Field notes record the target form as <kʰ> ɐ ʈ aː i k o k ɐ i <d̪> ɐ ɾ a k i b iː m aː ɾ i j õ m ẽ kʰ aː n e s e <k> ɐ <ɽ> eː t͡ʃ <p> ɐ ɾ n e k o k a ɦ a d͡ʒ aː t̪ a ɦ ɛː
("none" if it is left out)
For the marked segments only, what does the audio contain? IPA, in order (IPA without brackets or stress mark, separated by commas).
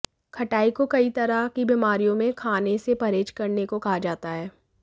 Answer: kʰ, t̪, p, ɾ, k